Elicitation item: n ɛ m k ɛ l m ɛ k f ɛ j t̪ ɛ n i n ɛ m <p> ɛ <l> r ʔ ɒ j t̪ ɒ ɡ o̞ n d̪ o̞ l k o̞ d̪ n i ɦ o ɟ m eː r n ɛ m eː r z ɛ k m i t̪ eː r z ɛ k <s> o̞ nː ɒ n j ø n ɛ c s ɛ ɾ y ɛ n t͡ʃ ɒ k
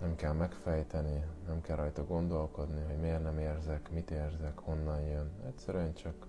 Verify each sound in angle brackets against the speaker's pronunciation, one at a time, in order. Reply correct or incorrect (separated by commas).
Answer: incorrect, correct, incorrect